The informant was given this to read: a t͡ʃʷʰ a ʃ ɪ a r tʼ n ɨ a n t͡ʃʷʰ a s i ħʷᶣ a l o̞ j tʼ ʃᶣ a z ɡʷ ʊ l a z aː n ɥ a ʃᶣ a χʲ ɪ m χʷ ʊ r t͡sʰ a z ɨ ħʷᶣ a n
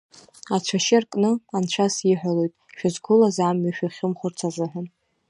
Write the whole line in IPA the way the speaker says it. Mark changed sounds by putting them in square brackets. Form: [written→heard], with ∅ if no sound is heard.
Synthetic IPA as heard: a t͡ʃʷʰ a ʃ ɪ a r [tʼ→kʼ] n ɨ a n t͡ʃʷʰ a s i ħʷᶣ a l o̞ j tʼ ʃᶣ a z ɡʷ ʊ l a z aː [n→m] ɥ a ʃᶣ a χʲ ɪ m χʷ ʊ r t͡sʰ a z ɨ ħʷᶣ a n